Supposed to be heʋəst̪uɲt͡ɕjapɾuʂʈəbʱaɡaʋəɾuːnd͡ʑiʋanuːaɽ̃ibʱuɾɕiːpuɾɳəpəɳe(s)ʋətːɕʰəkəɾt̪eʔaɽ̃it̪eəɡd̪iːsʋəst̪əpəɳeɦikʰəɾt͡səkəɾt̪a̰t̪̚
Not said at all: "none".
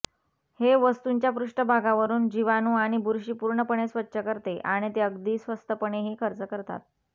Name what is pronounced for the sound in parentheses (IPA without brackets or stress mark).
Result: s